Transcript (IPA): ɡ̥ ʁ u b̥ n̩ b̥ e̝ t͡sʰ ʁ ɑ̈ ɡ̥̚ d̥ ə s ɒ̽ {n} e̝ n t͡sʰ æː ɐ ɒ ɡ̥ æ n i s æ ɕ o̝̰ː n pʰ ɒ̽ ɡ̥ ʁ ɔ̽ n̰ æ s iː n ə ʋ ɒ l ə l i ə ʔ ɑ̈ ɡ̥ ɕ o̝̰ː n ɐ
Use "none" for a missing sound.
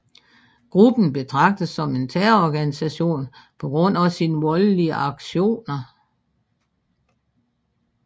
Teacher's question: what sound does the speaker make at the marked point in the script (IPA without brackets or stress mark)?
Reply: m